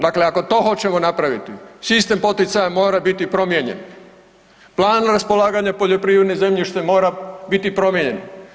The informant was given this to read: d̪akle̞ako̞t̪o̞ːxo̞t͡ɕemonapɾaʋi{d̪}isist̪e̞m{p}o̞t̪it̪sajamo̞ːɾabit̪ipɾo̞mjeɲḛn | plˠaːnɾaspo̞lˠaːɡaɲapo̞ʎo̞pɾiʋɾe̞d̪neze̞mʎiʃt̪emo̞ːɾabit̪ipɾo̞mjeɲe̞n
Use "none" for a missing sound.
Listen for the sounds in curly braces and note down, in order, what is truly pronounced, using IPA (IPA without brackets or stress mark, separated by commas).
t̪, p